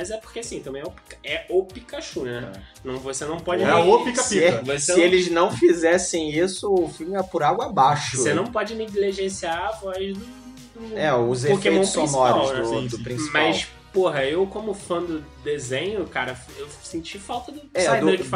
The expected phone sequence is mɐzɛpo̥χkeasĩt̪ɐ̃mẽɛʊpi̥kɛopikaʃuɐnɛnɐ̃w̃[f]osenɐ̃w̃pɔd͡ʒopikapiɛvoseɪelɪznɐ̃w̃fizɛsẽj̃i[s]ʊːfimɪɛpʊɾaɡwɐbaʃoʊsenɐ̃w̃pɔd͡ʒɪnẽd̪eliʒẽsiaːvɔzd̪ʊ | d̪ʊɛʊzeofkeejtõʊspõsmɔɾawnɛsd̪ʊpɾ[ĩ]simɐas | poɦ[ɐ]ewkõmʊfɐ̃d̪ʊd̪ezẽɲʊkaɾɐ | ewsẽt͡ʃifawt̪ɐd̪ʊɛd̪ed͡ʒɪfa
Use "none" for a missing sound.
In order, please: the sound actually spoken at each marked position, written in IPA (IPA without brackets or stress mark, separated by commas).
v, s, ĩ, ɐ